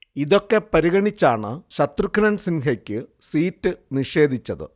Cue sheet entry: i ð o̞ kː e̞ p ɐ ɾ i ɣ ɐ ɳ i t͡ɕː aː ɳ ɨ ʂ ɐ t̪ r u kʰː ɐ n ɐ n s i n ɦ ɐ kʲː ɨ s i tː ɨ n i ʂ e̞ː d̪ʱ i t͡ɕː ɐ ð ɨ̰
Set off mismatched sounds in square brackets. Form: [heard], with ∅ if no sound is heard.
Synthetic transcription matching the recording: i ð o̞ kː e̞ p ɐ ɾ i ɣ ɐ ɳ i t͡ɕː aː ɳ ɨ [ɕ] ɐ t̪ r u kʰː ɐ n ɐ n s i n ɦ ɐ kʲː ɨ s [iː] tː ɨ n i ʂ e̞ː d̪ʱ i t͡ɕː ɐ ð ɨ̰